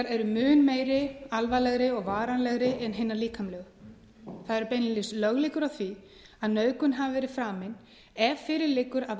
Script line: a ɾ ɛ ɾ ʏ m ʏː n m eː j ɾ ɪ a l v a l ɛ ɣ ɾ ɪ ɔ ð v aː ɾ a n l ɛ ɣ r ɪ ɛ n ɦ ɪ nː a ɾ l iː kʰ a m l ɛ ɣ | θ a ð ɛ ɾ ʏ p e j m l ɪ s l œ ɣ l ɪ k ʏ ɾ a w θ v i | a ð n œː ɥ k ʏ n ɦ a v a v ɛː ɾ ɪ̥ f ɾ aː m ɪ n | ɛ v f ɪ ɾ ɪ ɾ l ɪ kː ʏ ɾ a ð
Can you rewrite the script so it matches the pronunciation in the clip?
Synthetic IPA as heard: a ɾ ɛ ɾ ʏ m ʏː n m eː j ɾ ɪ a l v a l ɛ ɣ ɾ ɪ ɔ ɣ v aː ɾ a n l ɛ ɣ ɾ ɪ ɛ n ɦ ɪ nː a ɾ l iː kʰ a m l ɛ ɣ | θ a ð ɛ ɾ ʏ p e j n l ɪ s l œ ɣ l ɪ k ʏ ɾ a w θ v i | a ð n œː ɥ k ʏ n ɦ a v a v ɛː ɾ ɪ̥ f ɾ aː m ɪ n | ɛ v f ɪ ɾ ɪ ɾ l ɪ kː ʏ ɾ a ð